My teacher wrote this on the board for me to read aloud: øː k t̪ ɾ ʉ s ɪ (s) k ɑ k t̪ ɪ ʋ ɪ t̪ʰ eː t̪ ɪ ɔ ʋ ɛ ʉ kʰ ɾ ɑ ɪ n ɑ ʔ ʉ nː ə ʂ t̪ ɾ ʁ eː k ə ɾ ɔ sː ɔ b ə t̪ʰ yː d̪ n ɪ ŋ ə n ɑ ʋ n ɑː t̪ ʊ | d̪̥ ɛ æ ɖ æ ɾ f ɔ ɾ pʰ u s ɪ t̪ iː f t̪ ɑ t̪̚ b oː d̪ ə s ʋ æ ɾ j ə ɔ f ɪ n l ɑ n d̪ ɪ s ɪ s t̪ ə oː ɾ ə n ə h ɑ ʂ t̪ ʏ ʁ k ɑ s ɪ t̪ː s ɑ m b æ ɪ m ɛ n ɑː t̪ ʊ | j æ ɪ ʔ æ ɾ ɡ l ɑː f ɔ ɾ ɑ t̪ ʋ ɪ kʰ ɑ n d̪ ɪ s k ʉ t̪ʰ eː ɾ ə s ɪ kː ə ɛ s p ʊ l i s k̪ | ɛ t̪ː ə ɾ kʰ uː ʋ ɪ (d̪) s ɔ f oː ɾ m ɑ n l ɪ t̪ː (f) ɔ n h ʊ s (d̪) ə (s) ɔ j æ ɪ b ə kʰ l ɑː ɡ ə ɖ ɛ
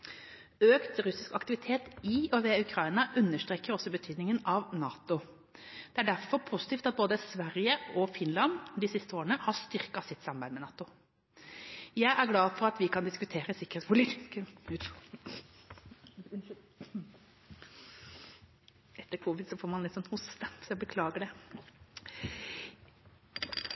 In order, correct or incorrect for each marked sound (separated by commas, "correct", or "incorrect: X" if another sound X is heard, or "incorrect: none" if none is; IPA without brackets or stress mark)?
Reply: correct, correct, incorrect: s, incorrect: t̪, correct